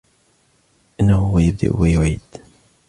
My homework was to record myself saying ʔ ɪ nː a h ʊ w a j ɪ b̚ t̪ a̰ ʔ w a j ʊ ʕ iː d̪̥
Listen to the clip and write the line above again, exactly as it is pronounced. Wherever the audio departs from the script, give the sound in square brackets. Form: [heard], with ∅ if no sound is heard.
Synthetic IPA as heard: ʔ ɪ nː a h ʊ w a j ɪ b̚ [d̪] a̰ ʔ w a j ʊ ʕ iː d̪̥